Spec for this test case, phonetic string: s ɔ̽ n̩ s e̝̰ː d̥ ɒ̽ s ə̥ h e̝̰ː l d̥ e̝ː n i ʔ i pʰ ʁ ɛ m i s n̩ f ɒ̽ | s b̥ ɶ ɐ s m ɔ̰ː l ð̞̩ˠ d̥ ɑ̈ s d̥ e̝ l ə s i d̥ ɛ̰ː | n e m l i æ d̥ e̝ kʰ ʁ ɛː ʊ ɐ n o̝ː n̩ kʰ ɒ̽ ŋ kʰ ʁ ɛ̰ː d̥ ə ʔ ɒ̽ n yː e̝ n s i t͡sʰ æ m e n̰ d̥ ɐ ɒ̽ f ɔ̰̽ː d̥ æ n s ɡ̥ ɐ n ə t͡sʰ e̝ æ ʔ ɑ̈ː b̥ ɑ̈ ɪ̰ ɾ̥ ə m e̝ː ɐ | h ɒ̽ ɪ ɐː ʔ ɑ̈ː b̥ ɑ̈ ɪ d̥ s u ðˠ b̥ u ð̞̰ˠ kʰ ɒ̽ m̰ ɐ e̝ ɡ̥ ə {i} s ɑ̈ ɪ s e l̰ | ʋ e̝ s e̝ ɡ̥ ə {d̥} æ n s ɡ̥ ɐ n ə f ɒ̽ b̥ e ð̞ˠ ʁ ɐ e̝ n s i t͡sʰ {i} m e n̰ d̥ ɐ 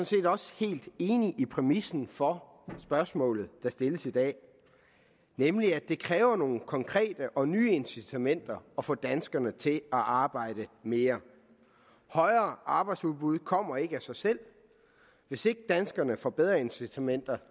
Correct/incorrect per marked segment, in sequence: incorrect, correct, incorrect

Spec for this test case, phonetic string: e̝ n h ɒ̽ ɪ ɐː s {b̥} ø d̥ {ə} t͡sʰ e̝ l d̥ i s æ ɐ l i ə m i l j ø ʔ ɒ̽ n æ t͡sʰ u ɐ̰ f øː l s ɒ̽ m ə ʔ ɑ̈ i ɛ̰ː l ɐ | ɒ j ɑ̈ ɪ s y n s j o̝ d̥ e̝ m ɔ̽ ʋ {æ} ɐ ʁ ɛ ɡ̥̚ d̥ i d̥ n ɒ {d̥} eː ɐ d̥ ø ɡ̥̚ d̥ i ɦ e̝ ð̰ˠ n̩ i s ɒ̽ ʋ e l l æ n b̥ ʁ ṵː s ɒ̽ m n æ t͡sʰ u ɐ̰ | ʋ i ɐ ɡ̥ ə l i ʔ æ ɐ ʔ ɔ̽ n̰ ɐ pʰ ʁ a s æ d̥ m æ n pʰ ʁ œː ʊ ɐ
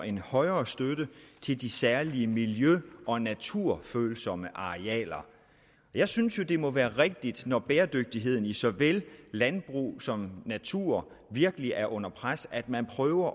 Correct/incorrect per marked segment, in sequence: incorrect, correct, incorrect, incorrect

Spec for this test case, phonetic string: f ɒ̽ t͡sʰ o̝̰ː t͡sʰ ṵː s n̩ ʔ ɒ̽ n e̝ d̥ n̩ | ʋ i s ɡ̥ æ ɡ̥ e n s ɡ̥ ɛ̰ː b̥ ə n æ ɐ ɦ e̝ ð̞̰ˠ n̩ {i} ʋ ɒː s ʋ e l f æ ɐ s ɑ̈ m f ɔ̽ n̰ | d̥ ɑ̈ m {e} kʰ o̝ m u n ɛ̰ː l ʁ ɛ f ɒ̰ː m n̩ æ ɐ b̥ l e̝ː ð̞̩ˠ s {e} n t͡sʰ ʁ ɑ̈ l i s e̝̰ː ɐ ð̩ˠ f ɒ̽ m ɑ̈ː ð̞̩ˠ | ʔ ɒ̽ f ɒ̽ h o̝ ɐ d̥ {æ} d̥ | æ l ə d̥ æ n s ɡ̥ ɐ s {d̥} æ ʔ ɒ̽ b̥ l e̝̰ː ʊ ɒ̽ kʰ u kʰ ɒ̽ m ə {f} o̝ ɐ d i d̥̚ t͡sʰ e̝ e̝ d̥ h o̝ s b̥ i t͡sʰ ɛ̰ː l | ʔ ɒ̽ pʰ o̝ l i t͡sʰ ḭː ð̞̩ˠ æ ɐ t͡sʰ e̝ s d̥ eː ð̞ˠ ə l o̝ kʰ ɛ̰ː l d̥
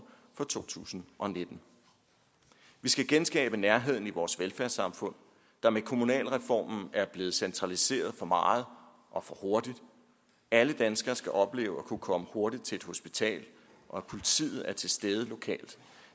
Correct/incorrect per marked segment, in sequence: correct, correct, correct, incorrect, incorrect, incorrect

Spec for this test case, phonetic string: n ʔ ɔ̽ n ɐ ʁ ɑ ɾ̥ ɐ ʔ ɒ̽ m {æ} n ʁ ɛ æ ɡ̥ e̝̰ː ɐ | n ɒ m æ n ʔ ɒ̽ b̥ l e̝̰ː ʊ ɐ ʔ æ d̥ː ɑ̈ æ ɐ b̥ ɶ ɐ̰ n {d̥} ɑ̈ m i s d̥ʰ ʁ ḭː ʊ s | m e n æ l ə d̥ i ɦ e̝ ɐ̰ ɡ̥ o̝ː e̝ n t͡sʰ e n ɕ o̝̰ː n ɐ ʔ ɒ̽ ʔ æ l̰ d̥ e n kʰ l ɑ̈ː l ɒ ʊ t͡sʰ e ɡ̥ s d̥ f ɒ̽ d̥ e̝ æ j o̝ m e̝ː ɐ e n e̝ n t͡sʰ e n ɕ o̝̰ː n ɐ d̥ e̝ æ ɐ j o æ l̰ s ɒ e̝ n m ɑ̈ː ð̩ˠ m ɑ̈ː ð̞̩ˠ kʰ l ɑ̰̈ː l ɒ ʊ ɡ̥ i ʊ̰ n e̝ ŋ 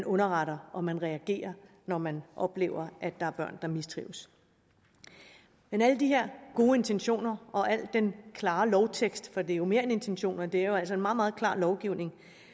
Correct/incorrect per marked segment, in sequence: correct, correct

